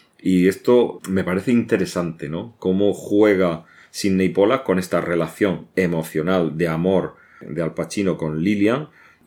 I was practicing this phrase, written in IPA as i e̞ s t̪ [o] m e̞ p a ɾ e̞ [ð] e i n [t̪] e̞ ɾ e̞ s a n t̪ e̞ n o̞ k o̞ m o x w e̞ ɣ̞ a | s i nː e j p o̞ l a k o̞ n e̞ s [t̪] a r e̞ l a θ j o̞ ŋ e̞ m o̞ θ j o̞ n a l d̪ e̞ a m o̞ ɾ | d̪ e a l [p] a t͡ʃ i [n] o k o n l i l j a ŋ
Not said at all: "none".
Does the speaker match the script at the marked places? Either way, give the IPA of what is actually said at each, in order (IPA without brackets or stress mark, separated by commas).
o, θ, t̪, t̪, p, n